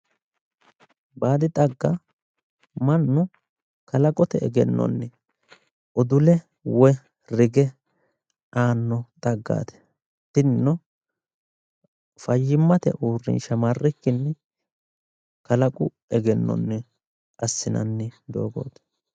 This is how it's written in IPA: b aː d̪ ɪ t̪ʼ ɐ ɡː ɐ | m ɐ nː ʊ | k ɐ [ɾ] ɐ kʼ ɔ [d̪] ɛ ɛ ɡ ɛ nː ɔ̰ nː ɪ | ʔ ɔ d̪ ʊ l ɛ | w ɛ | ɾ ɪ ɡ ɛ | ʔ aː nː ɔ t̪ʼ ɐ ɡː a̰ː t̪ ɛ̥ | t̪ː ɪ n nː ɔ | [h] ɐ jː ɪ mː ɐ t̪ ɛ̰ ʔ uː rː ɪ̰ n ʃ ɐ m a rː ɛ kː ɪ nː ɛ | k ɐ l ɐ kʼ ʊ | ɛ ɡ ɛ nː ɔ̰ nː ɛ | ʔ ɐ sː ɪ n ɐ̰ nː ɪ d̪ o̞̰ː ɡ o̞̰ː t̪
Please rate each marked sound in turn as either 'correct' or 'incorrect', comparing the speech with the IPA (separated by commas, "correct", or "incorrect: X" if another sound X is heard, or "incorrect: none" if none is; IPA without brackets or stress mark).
incorrect: l, incorrect: t̪, incorrect: f